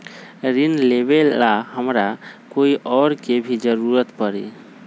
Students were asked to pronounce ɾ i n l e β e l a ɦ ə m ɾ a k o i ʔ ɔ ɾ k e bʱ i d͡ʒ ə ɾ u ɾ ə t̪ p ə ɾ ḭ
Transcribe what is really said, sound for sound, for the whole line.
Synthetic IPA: ɾ i n l e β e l a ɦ ə m ɾ a k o i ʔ ɔ ɾ k e bʱ i d͡ʒ ə ɾ u ɾ ə t̪ p ə ɾ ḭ